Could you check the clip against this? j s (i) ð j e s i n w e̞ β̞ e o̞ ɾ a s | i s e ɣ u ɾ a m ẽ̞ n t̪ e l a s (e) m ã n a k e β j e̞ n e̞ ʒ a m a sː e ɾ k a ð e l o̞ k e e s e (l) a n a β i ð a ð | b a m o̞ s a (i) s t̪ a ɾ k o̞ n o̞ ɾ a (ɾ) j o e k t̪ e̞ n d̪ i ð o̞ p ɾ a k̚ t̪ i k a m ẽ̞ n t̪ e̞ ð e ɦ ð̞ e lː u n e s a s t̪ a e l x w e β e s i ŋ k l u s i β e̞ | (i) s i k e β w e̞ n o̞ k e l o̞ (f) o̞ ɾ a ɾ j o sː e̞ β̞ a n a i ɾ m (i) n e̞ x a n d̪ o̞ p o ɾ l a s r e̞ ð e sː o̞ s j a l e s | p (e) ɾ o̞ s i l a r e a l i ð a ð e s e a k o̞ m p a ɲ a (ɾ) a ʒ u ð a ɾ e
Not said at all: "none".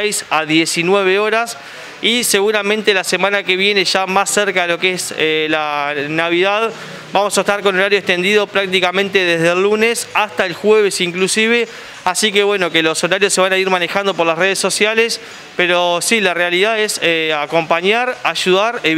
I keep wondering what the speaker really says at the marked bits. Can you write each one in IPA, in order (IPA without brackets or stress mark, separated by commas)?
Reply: a, e, l, e, ɾ, a, s, a, e, ɾ